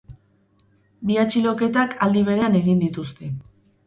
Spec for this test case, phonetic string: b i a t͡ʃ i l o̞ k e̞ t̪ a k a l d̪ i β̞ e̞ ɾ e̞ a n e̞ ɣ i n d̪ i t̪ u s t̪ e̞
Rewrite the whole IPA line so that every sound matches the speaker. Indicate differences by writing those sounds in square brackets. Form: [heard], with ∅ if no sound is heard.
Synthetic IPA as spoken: b i a t͡ʃ i l o̞ k e̞ t̪ a k a l d̪ i β̞ e̞ ɾ e̞ a n e̞ ɣ i n d̪ i t̪ u s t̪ e̞